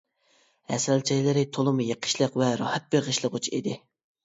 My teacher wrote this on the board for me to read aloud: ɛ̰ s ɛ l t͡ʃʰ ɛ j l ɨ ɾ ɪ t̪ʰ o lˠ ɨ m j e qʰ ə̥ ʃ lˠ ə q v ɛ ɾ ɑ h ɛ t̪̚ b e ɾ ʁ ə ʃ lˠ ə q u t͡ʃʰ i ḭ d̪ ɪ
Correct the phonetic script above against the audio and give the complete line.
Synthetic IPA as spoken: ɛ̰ s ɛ l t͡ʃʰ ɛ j l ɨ ɾ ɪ t̪ʰ o lˠ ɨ m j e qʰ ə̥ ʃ lˠ ə q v ɛ ɾ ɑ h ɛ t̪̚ b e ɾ ʁ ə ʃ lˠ ə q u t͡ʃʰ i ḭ d̪ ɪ